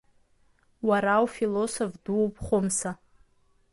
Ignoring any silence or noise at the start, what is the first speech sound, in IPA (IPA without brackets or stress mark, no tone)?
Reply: w